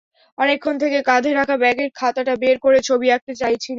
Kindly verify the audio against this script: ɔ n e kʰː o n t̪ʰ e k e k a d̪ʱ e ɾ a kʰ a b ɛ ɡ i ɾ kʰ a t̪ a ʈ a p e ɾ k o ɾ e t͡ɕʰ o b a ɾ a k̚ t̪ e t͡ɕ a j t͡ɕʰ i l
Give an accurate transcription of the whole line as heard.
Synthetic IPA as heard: ɔ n e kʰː o n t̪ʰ e k e k a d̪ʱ e ɾ a kʰ a b ɛ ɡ e ɾ kʰ a t̪ a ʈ a b e ɾ k o ɾ e t͡ɕʰ o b i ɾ a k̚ t̪ e t͡ɕ a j t͡ɕʰ i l